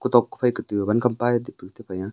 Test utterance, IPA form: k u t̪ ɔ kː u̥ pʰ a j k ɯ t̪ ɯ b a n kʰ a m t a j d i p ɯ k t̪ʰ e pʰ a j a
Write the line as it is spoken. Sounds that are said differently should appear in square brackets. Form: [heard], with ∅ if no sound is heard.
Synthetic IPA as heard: k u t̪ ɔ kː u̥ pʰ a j k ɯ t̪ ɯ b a n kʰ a m [p] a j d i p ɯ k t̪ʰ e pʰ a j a